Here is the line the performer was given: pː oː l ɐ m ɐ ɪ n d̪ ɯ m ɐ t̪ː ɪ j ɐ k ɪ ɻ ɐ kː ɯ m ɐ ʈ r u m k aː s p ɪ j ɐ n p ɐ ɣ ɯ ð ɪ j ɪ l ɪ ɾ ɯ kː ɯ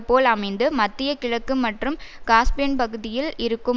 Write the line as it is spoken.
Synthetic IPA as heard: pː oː l ɐ m ɐ ɪ n d̪ ɯ m ɐ t̪ː ɪ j ɐ k ɪ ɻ ɐ kː ɯ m ɐ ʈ r ɯ m k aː s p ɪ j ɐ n p ɐ ɣ ɯ ð ɪ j ɪ l ɪ ɾ ɯ kː ɯ